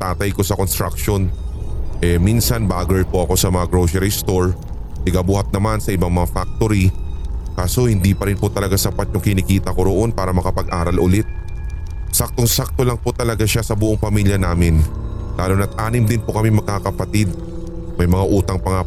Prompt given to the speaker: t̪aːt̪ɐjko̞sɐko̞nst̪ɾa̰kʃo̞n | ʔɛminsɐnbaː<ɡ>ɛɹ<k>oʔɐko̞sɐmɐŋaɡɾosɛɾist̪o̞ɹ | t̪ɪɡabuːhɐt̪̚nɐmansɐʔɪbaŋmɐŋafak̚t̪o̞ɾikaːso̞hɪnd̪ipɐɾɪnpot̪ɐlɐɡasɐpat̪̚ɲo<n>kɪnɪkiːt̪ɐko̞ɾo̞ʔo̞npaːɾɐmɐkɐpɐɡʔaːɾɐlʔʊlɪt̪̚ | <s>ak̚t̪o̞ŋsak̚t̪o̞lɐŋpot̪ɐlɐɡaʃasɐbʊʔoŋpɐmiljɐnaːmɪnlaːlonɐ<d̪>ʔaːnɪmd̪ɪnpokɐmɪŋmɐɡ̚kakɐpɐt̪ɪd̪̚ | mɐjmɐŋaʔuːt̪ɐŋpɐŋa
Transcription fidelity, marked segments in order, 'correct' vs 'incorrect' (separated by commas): correct, incorrect, incorrect, correct, incorrect